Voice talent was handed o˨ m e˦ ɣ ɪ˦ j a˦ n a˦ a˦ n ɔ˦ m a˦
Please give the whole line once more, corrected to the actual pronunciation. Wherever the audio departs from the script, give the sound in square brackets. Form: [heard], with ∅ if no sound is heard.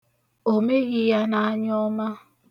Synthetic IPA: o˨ m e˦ ɣ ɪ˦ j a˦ n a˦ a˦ [ɲ] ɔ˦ m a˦

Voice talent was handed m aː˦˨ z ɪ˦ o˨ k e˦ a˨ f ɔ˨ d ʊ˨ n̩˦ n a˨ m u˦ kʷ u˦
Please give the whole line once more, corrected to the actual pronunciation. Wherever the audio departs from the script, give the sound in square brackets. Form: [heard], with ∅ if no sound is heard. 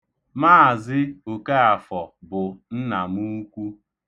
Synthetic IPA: m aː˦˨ z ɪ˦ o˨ k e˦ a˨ f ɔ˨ [b] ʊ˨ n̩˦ n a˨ m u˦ kʷ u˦

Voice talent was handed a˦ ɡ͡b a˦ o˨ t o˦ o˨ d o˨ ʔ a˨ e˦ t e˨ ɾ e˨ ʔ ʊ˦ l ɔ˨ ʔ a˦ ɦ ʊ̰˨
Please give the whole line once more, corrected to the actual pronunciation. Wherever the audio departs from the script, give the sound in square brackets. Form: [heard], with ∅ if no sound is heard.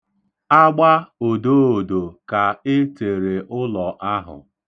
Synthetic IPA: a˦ ɡ͡b a˦ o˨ [d] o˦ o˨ d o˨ [k] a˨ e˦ t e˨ ɾ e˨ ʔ ʊ˦ l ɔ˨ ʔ a˦ ɦ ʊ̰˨

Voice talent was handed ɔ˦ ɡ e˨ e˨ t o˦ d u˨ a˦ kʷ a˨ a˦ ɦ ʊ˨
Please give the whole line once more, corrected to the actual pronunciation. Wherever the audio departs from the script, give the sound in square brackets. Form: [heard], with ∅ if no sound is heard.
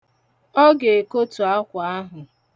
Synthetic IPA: ɔ˦ ɡ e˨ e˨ [k] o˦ [t] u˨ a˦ kʷ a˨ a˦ ɦ ʊ˨

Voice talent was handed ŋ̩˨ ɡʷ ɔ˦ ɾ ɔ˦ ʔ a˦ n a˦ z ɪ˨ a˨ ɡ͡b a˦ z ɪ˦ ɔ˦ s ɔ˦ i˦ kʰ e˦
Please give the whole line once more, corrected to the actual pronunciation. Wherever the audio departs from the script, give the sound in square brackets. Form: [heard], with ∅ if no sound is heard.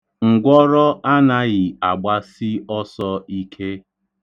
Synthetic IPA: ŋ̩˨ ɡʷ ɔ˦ ɾ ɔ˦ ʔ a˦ n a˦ [ɣ] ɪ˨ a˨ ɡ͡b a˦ [s] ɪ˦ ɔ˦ s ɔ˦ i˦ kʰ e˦

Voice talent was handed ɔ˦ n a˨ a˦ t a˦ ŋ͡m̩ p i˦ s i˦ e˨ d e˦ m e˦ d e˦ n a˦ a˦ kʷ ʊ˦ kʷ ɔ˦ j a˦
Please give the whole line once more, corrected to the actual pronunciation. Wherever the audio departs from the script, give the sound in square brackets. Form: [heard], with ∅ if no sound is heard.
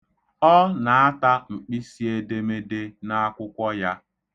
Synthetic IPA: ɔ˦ n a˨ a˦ t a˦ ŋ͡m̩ [k͡p] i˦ s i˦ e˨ d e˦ m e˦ d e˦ n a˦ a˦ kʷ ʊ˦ kʷ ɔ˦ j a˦

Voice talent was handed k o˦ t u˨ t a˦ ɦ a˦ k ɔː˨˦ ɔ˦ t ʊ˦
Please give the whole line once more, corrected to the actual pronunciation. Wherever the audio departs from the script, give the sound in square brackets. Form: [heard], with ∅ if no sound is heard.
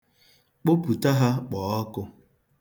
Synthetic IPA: [k͡p] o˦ [p] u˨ t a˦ ɦ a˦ [k͡p] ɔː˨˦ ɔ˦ [k] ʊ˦

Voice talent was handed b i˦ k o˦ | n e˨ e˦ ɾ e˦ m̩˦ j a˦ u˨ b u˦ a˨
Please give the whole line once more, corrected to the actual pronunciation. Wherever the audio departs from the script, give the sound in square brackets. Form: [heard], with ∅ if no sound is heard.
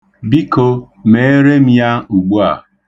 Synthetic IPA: b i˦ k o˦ | [m] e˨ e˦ ɾ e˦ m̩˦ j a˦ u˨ [ɡ͡b] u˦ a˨

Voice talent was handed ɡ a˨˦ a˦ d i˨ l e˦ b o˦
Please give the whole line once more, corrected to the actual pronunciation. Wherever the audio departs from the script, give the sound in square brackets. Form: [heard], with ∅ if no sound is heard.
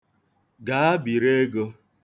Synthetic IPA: ɡ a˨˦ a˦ [b] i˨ [ɾ] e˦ [ɡ] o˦

